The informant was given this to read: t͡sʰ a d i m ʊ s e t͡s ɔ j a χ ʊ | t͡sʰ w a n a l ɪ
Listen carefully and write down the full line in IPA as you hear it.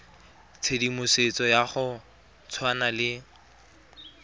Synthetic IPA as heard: t͡sʰ e d i m ʊ s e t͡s ɔ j a χ ʊ | t͡sʰ w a n a l ɪ